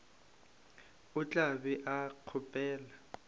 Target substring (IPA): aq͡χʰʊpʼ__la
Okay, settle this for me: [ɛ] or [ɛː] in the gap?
ɛː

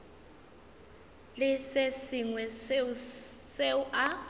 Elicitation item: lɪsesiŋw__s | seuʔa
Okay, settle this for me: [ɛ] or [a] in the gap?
ɛ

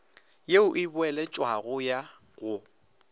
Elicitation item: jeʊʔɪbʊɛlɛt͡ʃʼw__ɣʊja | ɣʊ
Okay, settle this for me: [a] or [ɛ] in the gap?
a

